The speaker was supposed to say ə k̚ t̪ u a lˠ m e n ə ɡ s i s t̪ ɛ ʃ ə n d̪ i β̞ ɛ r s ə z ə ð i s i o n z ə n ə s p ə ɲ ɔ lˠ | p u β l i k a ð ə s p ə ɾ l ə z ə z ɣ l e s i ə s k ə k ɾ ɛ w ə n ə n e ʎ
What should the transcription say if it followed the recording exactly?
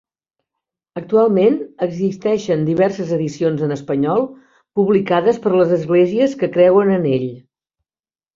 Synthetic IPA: ə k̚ t̪ u a lˠ m e n ə ɡ z i s t̪ ɛ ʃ ə n d̪ i β̞ ɛ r s ə z ə ð i s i o n z ə n ə s p ə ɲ ɔ lˠ | p u β l i k a ð ə s p ə ɾ l ə z ə z ɣ l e z i ə s k ə k ɾ ɛ w ə n ə n e ʎ